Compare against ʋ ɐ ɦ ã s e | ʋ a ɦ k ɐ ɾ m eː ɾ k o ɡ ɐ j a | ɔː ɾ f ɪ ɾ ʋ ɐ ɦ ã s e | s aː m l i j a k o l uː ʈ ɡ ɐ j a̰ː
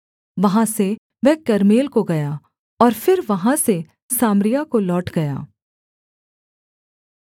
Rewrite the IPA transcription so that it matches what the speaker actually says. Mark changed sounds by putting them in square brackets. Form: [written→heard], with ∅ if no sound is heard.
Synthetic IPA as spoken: ʋ ɐ ɦ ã s e | ʋ [a→ɛ] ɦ k ɐ ɾ m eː [ɾ→l] k o ɡ ɐ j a | ɔː ɾ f ɪ ɾ ʋ ɐ ɦ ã s e | s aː m [l→ɾ] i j a k o l [uː→ɔː] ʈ ɡ ɐ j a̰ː